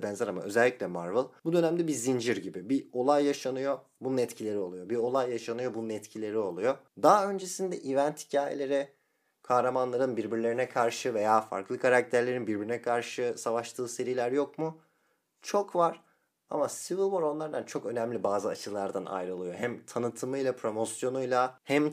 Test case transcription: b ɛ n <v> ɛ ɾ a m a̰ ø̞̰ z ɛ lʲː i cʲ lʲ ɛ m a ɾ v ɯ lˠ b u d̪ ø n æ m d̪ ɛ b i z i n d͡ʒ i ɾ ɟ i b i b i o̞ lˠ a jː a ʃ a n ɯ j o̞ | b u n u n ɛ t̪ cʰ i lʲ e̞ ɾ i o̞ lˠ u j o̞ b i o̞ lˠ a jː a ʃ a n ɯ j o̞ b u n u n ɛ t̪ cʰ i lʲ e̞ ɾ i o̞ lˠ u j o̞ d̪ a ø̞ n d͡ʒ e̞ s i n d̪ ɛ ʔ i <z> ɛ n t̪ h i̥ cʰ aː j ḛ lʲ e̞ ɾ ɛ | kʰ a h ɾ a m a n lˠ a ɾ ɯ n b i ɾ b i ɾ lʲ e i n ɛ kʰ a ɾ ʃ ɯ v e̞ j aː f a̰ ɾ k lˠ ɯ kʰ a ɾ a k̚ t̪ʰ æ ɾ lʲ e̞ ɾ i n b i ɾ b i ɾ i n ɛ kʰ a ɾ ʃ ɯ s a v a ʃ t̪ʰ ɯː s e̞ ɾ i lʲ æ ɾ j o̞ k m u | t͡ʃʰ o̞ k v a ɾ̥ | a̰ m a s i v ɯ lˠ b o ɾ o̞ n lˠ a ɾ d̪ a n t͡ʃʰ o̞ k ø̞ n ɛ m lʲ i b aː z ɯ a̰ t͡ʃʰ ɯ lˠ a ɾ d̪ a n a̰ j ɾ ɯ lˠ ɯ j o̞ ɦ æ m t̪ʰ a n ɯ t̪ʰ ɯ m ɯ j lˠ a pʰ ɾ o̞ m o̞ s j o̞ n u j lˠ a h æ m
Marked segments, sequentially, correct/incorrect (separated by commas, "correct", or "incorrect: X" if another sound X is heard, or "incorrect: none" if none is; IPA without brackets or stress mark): incorrect: z, incorrect: v